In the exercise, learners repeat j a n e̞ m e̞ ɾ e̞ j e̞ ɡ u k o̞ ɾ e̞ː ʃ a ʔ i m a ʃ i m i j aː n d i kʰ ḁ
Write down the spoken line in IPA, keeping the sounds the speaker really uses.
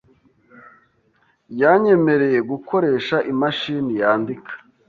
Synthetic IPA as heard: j a ɲ e̞ m e̞ ɾ e̞ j e̞ ɡ u k o̞ ɾ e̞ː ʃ a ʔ i m a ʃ i n i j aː n d i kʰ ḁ